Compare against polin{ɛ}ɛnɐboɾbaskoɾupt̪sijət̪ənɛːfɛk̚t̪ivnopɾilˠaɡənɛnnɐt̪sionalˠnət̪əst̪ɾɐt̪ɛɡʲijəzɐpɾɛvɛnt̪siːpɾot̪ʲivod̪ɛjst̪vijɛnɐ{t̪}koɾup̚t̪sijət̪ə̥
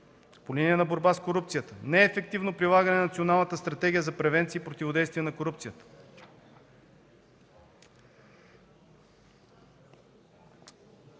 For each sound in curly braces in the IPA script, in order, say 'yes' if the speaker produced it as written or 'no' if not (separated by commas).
no, no